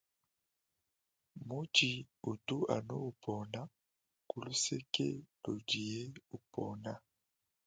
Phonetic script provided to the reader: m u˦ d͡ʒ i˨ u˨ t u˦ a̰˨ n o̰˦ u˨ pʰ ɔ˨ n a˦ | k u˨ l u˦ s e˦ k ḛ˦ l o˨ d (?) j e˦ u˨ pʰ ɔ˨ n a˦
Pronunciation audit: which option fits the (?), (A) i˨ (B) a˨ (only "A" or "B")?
A